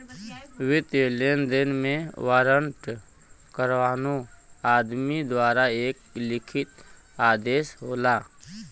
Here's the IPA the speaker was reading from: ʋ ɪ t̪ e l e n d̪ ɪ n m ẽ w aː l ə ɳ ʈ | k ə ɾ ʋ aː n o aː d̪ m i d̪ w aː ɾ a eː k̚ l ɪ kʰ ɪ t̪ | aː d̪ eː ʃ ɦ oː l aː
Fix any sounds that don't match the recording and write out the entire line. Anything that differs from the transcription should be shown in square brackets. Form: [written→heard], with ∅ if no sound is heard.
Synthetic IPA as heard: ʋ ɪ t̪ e l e n d̪ ɪ n m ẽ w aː [l→ɾ] ə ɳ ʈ | k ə ɾ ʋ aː n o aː d̪ m i d̪ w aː ɾ a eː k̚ l ɪ kʰ ɪ t̪ | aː d̪ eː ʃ ɦ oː l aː